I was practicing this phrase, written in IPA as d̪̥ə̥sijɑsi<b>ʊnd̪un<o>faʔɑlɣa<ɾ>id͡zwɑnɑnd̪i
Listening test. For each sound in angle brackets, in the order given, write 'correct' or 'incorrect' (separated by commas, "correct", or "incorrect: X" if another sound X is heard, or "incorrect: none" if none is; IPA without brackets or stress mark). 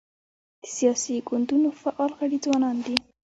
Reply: incorrect: ɡ, correct, incorrect: ɽ